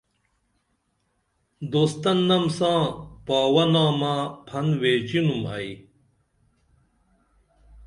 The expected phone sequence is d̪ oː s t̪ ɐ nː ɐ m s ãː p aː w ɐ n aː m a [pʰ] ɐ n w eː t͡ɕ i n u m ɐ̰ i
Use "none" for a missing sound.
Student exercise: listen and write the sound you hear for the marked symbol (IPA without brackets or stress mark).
pʰ